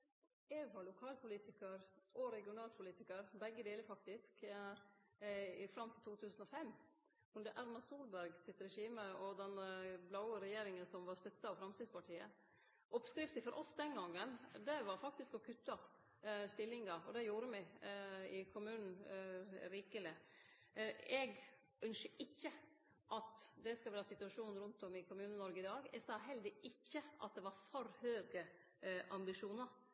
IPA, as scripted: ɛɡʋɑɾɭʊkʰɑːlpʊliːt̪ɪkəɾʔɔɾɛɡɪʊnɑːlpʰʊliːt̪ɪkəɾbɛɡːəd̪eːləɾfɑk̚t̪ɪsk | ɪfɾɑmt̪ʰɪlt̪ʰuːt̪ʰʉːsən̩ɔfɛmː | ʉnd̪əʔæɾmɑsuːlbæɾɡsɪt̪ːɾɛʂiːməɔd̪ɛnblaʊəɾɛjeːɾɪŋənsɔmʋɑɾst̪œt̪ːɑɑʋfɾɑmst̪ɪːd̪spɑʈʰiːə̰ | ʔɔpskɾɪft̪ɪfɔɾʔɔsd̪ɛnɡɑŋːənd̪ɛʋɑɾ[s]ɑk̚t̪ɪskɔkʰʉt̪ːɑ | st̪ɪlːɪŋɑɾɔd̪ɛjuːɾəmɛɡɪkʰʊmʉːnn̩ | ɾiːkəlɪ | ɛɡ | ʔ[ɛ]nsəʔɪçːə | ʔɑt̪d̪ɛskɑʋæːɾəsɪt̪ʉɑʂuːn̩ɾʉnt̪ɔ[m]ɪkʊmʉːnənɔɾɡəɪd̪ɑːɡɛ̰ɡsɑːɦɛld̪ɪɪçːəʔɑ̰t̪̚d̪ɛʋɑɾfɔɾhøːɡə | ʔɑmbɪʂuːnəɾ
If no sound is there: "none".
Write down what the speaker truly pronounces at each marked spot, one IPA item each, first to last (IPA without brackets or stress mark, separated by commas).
f, œ, m